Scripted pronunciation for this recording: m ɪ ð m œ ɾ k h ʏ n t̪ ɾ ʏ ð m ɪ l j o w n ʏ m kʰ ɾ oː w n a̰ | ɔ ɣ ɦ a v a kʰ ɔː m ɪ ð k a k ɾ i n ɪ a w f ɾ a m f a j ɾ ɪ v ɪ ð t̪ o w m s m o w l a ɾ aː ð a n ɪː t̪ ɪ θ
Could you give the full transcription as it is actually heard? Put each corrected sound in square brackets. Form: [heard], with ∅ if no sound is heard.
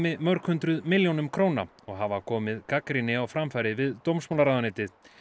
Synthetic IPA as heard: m ɪ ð m œ ɾ k h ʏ n t̪ ɾ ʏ ð m ɪ l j o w n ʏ m kʰ ɾ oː w n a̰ | ɔ ɣ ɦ a v a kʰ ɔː m ɪ ð k a k ɾ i n ɪ a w f ɾ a m f a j ɾ ɪ v ɪ ð t̪ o w m s m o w l a ɾ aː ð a n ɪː t̪ ɪ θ